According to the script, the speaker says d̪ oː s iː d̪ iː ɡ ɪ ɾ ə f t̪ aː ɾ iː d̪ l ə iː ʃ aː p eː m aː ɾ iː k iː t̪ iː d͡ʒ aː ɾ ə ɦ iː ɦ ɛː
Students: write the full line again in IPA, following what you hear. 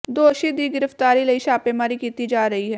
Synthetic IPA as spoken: d̪ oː ʃ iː d̪ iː ɡ ɪ ɾ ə f t̪ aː ɾ iː l ə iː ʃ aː p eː m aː ɾ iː k iː t̪ iː d͡ʒ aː ɾ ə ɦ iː ɦ ɛː